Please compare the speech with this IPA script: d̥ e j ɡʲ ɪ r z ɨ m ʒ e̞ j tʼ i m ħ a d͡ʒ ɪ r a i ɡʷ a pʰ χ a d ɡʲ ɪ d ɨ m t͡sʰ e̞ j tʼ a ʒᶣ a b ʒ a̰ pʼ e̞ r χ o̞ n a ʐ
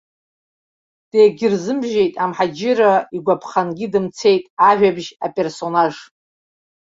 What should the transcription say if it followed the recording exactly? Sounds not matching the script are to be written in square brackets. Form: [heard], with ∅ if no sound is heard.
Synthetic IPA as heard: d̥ e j ɡʲ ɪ r z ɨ m ʒ e̞ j tʼ [a] m ħ a d͡ʒ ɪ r a i ɡʷ a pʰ χ a [n] ɡʲ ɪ d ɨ m t͡sʰ e̞ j tʼ a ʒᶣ a b ʒ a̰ pʼ e̞ r [s] o̞ n a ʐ